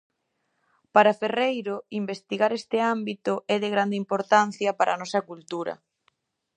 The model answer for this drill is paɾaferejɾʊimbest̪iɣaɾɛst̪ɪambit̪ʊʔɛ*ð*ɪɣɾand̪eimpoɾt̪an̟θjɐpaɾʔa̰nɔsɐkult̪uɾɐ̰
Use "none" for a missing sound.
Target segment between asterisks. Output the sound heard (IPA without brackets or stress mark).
ð